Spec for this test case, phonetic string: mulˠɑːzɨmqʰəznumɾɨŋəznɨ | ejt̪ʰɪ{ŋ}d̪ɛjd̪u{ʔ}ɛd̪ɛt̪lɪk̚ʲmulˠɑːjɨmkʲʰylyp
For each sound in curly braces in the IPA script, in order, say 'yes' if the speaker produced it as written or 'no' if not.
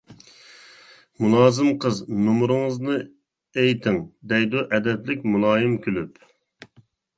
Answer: yes, yes

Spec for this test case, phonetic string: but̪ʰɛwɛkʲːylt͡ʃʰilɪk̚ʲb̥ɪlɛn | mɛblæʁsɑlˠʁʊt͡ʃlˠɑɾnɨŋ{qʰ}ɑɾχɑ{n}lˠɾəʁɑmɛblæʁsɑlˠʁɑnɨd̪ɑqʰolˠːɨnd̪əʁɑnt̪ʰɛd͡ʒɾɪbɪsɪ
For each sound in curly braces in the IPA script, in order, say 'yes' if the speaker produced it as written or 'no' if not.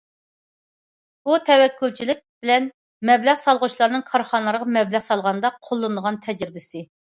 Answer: no, yes

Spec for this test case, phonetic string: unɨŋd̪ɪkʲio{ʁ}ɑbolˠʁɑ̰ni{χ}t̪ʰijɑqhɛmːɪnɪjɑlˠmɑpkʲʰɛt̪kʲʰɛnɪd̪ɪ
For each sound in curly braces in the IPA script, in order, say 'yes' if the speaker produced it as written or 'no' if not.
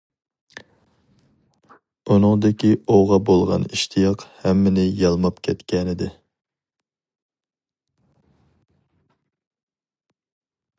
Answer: yes, no

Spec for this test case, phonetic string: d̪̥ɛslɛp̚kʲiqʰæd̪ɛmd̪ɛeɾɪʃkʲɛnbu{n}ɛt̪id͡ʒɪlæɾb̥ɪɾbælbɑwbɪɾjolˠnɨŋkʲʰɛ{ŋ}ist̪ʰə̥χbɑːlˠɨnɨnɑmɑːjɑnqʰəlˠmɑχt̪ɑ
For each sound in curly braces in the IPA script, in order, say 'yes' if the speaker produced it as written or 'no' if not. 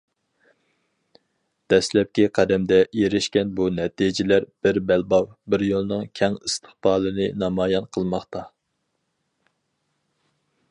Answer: yes, yes

